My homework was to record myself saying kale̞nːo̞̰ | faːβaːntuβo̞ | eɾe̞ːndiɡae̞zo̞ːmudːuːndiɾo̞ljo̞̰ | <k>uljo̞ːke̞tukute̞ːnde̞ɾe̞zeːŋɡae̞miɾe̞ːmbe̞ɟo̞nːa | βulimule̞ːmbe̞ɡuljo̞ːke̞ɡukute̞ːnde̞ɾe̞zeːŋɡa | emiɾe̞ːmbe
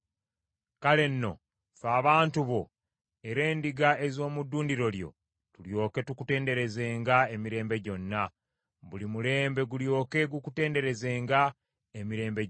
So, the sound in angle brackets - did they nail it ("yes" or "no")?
no